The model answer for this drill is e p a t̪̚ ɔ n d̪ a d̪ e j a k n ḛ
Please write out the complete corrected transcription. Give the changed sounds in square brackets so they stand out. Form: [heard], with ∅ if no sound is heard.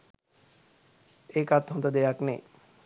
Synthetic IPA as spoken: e [k] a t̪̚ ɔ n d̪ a d̪ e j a k n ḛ